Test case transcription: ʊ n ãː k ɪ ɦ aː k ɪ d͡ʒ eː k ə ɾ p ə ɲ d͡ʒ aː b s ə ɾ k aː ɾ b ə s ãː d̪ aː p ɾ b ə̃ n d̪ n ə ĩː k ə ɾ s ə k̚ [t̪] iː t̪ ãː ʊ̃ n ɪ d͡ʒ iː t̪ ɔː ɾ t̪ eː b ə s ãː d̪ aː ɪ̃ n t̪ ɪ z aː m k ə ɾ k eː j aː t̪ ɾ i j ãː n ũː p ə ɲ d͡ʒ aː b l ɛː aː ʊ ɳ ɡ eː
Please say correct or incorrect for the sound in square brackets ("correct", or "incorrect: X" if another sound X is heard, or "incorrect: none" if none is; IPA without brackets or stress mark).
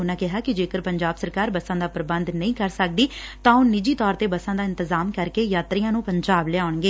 incorrect: d̪